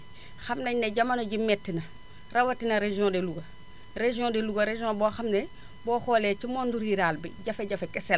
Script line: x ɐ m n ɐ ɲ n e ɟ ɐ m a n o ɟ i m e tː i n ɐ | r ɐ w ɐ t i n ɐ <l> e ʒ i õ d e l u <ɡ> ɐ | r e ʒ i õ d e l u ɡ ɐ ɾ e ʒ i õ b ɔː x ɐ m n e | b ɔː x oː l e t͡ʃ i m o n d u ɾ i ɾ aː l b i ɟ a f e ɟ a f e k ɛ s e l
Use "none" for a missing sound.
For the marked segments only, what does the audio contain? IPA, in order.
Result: ɾ, ɡ

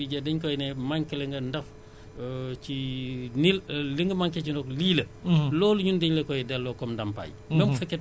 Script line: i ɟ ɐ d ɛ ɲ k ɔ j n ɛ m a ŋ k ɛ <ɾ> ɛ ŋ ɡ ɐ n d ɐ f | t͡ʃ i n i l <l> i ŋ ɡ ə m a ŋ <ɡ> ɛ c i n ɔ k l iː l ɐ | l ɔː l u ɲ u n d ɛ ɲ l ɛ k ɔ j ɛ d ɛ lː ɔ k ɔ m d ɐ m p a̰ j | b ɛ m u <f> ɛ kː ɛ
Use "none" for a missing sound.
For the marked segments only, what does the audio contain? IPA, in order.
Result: l, l, k, f

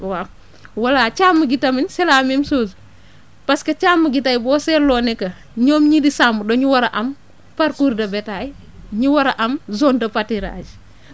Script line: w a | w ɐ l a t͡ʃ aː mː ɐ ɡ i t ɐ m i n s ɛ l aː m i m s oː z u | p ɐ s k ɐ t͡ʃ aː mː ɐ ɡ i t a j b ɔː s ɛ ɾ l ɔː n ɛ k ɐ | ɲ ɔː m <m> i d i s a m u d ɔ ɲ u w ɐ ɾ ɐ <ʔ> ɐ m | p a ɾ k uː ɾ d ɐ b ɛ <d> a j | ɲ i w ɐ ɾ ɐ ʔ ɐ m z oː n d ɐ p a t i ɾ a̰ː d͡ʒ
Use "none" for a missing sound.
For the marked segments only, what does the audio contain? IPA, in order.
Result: ɲ, ʔ, t

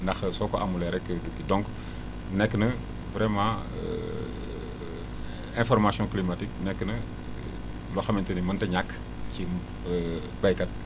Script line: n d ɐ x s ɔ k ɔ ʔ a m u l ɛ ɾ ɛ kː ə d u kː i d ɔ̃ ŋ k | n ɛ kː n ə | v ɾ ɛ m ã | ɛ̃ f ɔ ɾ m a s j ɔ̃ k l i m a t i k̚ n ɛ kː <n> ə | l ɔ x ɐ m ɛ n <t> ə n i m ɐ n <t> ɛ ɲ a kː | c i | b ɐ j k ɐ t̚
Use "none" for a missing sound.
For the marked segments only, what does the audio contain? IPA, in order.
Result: n, t, t

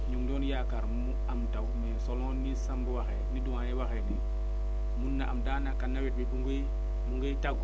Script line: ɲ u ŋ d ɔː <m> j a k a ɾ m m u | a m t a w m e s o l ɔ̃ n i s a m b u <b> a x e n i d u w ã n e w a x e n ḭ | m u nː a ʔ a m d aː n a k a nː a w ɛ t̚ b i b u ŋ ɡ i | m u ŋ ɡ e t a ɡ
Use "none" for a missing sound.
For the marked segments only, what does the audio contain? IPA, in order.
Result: n, w

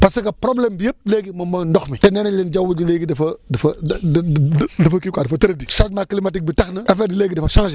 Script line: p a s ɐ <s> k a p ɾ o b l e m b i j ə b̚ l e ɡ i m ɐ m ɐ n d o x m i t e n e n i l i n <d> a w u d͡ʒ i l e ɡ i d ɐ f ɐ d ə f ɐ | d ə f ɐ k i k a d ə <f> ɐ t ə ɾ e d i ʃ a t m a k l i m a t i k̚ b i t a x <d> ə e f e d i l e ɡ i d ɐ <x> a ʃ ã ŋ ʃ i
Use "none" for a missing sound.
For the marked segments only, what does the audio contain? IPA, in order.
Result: none, d͡ʒ, f, n, f

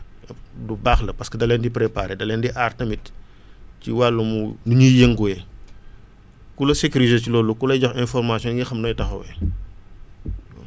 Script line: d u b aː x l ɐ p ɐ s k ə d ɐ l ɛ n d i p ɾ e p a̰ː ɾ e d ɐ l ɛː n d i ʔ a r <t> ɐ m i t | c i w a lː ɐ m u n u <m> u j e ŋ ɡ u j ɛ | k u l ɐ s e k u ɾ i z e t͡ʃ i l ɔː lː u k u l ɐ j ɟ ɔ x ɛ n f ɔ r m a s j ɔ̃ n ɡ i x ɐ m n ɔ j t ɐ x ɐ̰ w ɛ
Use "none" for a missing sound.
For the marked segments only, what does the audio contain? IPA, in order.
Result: t, ɲ

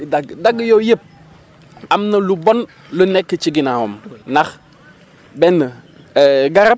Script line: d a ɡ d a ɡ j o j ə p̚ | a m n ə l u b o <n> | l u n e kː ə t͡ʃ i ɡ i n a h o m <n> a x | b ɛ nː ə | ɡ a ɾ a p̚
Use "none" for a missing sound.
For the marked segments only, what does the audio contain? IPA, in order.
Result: n, n

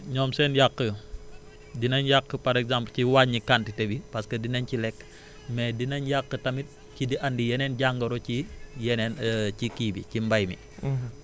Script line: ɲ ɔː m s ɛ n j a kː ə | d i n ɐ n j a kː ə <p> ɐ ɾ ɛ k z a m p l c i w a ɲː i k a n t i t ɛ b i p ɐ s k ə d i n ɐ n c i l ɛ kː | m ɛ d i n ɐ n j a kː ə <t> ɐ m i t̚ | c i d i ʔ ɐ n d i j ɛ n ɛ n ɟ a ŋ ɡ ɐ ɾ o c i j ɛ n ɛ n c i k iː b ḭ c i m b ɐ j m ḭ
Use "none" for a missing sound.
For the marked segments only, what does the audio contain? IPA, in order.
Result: p, t

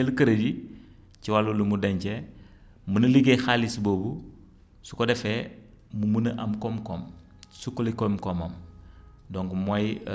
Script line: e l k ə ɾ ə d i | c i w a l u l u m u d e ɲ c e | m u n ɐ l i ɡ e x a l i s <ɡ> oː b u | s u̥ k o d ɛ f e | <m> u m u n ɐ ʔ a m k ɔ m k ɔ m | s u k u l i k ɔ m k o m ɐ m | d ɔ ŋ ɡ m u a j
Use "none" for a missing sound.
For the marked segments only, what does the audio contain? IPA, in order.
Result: b, m

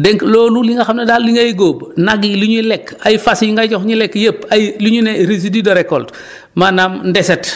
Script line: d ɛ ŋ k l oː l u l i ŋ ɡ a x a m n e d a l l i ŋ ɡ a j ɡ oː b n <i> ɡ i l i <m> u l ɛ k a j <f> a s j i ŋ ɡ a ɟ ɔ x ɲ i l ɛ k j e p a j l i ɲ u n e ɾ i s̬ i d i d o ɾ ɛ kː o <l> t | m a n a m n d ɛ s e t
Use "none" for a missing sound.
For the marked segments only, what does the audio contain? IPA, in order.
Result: a, ɲ, f, l

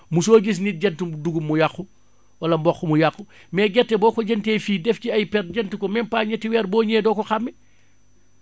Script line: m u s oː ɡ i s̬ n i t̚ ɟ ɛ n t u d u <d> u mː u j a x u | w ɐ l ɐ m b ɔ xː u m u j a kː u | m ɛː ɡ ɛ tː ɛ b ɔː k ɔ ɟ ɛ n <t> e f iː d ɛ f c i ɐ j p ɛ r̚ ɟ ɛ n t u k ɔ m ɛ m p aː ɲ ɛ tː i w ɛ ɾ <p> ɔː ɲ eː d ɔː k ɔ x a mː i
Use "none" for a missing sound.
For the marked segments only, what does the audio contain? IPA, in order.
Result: ɡ, t, b

